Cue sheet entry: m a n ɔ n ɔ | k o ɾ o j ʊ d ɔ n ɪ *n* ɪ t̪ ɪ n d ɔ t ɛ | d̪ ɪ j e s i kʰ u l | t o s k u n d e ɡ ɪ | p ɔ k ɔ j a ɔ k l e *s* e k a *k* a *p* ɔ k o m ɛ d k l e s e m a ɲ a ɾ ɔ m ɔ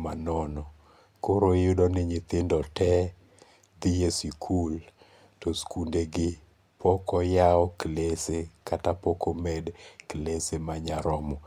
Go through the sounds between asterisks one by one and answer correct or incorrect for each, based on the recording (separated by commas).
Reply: incorrect, correct, incorrect, correct